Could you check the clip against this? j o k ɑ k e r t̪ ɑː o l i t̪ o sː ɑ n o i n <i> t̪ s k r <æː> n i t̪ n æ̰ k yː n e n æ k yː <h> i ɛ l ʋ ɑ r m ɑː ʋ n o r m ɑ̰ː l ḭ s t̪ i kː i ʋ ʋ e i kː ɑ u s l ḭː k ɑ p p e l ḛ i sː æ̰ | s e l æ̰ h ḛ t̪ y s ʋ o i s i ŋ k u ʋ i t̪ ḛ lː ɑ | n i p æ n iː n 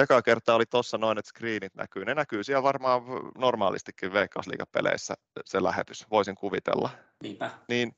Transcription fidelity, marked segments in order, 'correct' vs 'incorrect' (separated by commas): incorrect, incorrect, incorrect